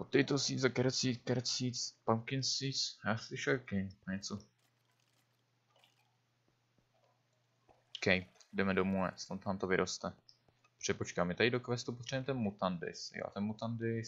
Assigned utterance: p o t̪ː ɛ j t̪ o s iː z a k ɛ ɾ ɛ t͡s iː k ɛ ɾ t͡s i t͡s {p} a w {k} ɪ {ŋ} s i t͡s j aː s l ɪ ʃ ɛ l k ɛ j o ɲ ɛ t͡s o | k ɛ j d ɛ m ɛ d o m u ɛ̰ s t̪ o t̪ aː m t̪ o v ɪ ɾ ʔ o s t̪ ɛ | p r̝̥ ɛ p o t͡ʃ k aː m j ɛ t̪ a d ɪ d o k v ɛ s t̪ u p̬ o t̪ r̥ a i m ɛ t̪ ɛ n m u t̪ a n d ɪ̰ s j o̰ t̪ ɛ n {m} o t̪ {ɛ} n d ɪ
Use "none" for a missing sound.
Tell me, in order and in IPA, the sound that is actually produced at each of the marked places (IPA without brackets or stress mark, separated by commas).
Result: p, k, n, m, a